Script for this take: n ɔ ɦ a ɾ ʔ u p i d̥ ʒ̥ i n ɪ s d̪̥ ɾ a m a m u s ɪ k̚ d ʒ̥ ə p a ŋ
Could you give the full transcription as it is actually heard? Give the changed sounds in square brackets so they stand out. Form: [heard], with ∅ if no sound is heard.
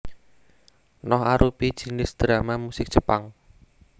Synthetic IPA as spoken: n ɔ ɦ a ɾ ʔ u p i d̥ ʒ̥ i n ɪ s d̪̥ ɾ a m a m u s ɪ k̚ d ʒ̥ ə p a ŋ